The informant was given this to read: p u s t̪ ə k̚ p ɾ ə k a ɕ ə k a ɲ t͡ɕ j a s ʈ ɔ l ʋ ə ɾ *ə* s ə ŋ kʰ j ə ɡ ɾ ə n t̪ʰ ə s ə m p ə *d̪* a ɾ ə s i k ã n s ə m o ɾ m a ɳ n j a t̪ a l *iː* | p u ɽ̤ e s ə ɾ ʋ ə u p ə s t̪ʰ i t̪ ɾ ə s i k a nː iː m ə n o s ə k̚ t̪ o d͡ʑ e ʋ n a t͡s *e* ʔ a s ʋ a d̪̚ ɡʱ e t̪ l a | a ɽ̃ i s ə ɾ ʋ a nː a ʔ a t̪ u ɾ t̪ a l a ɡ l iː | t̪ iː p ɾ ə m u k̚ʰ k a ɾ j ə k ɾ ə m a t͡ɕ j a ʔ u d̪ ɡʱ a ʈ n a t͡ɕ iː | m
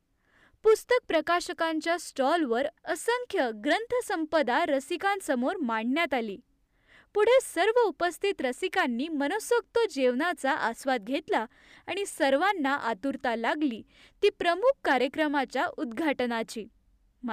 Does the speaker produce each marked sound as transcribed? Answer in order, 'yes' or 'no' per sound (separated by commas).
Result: yes, yes, yes, no